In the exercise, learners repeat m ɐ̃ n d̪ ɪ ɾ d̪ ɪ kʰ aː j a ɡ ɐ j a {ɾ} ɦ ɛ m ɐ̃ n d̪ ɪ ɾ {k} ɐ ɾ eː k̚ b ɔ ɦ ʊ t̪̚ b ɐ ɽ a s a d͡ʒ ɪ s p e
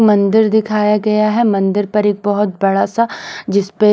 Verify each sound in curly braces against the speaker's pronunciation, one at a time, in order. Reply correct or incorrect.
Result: incorrect, incorrect

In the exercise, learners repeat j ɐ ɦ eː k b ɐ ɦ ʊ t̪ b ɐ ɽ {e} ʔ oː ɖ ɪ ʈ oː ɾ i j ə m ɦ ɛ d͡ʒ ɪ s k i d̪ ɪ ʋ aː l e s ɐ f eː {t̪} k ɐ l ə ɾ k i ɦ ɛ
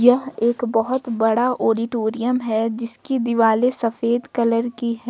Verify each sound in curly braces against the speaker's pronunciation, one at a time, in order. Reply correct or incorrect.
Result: incorrect, incorrect

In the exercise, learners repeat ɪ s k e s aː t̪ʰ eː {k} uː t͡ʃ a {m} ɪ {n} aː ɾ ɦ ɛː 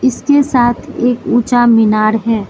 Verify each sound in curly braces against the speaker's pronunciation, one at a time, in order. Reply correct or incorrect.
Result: correct, correct, correct

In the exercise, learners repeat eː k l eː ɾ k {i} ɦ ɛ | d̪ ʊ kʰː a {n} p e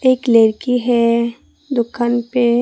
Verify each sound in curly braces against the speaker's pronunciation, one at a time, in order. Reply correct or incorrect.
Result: correct, correct

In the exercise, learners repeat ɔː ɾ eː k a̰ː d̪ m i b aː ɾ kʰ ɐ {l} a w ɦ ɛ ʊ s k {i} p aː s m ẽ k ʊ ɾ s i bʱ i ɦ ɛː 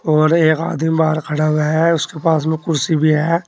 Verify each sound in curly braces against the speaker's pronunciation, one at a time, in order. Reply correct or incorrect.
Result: incorrect, incorrect

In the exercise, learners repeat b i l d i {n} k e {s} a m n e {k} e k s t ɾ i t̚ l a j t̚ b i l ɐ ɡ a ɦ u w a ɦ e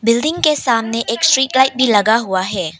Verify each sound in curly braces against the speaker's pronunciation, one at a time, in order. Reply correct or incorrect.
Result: incorrect, correct, incorrect

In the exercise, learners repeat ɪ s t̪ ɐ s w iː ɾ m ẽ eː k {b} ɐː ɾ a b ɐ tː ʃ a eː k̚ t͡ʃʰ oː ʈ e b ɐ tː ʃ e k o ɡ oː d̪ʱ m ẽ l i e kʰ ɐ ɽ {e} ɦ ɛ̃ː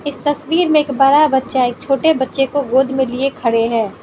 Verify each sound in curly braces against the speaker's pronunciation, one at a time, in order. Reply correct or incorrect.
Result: correct, correct

